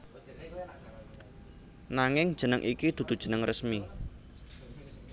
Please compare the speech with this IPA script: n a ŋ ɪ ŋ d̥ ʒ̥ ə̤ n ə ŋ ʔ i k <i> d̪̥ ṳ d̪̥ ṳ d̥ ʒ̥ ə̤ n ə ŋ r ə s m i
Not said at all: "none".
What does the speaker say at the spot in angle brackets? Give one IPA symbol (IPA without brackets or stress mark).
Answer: i